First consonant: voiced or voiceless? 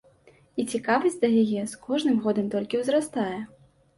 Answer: voiceless